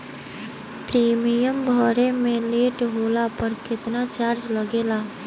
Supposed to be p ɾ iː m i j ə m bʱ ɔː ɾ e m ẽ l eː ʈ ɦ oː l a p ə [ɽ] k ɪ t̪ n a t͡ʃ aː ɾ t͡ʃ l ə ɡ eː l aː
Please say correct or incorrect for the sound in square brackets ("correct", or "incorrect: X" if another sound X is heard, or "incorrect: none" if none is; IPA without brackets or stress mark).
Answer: incorrect: ɾ